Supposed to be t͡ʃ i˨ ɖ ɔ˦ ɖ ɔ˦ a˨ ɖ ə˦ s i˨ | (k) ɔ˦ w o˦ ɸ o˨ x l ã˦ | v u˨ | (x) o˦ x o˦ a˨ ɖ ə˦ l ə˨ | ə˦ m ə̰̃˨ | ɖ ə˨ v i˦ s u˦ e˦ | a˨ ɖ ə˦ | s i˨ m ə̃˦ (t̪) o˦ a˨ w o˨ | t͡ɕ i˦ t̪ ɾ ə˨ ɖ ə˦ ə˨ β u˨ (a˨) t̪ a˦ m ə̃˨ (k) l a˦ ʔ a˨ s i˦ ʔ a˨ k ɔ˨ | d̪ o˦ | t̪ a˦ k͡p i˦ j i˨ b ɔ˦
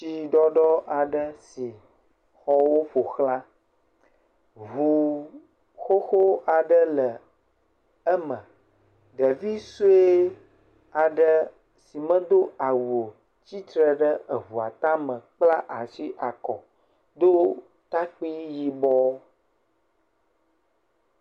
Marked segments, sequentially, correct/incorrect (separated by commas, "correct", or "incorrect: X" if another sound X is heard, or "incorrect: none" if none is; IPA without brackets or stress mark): incorrect: x, correct, incorrect: d̪, correct, incorrect: k͡p